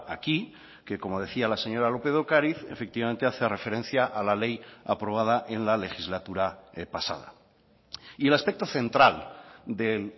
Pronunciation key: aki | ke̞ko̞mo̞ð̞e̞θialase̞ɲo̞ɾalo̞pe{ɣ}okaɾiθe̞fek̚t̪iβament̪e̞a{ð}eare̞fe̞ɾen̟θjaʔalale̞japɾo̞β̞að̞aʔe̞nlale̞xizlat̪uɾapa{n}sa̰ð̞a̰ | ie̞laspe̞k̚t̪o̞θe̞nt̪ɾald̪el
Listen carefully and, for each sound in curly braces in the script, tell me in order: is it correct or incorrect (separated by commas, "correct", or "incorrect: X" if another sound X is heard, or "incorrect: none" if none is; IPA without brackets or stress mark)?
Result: incorrect: ð, incorrect: θ, incorrect: none